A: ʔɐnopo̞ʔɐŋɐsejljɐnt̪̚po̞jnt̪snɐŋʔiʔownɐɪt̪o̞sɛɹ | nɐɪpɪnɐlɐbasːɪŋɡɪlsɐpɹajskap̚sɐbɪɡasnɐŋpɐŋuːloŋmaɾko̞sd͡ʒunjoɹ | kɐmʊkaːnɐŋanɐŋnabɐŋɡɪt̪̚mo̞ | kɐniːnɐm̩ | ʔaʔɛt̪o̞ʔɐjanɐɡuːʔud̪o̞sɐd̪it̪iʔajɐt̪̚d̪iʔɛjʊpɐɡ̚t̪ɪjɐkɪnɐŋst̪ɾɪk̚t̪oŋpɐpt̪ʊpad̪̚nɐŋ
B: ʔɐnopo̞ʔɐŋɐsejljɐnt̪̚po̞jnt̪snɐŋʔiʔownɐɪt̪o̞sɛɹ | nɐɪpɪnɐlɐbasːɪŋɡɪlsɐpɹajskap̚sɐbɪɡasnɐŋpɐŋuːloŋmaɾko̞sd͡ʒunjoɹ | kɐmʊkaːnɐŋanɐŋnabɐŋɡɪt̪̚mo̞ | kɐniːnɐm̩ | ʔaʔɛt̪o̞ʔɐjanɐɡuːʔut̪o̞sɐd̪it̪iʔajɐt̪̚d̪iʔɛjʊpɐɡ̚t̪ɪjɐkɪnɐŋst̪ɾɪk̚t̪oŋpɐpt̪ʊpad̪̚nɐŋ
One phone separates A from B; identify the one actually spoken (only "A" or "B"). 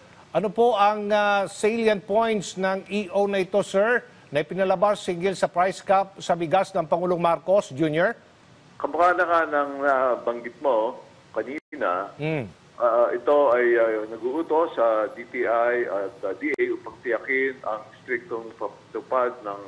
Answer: B